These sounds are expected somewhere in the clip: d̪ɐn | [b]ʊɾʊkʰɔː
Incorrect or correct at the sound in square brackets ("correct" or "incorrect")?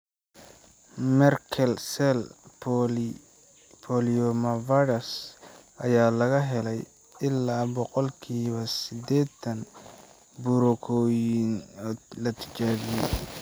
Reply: correct